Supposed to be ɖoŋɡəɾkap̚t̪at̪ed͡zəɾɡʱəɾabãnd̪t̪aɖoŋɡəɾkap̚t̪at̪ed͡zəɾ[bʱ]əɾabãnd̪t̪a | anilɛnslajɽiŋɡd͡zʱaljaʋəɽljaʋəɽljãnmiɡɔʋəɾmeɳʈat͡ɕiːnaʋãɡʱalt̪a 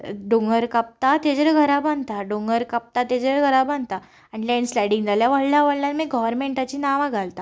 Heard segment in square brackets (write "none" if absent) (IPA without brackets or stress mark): ɡʱ